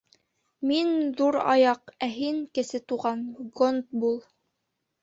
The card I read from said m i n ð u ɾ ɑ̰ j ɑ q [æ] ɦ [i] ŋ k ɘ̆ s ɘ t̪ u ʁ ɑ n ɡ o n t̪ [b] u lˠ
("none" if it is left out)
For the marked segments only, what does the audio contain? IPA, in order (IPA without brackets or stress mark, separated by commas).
æ, i, b